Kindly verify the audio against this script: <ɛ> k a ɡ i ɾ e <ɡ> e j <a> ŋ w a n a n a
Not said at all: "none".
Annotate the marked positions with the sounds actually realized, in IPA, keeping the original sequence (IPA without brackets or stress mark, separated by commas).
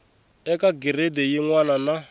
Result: ɛ, d, i